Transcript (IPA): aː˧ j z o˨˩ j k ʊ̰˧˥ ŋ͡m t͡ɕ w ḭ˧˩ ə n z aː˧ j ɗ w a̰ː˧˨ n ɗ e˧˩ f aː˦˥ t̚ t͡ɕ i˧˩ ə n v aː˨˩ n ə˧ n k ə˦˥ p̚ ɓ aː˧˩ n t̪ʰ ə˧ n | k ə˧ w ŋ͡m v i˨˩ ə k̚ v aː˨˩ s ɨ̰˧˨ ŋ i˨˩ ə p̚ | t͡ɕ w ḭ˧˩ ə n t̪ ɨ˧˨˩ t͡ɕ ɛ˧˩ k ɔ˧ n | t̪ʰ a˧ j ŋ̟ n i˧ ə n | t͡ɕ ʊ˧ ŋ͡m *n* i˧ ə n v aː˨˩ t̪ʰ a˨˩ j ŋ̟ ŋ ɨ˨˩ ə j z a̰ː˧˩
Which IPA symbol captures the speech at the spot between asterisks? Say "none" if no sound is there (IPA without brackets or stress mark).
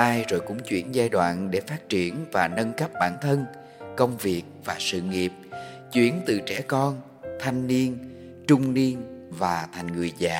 n